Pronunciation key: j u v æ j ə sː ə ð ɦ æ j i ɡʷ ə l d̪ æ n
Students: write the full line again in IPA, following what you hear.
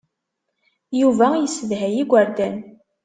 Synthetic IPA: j u v æ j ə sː ə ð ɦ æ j i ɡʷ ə ɾ d̪ æ n